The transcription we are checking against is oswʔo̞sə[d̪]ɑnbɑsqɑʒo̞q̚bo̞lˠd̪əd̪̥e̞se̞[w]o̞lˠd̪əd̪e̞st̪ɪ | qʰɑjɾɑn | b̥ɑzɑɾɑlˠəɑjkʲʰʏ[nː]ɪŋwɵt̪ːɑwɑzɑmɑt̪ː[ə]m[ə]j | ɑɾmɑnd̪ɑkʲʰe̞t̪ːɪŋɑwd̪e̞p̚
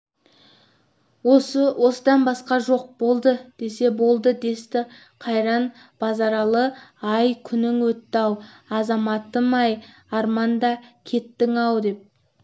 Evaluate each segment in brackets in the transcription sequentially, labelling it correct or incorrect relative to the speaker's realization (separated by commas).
correct, incorrect, incorrect, correct, incorrect